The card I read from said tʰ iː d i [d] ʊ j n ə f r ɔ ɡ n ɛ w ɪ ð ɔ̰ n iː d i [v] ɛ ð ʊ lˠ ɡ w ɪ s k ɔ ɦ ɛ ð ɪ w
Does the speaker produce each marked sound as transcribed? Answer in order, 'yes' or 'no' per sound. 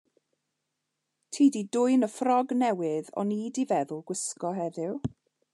yes, yes

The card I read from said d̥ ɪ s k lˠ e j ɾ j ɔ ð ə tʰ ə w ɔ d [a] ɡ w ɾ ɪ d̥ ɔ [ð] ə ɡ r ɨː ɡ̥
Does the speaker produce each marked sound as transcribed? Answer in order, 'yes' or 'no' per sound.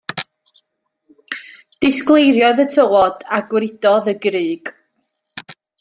yes, yes

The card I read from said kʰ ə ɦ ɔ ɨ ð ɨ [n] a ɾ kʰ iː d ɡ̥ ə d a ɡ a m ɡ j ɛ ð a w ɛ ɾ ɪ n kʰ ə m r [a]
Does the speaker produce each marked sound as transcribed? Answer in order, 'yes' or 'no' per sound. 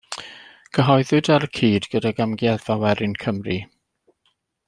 no, no

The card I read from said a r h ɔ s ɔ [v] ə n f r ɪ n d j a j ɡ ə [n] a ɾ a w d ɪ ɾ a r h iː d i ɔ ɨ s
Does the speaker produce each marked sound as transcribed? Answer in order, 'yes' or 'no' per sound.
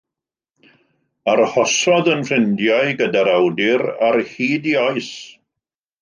no, no

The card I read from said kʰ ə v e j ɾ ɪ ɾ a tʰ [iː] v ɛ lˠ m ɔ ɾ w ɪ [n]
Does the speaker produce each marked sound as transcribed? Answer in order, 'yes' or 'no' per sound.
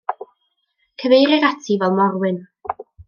no, yes

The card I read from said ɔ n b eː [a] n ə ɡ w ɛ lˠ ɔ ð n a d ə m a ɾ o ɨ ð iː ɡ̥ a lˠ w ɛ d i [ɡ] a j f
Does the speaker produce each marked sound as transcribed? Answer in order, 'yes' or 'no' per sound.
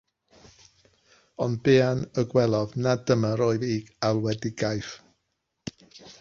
yes, yes

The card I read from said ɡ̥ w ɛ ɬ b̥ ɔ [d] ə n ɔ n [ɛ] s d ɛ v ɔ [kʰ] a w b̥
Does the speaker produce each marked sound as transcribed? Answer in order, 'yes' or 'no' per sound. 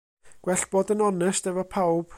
yes, yes, no

